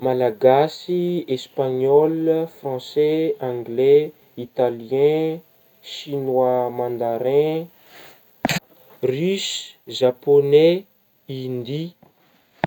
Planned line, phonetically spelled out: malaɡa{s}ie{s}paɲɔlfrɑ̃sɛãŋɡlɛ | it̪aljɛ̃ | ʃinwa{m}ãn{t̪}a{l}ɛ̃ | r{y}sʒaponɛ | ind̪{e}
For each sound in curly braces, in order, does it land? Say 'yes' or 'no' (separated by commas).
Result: yes, yes, yes, no, no, yes, no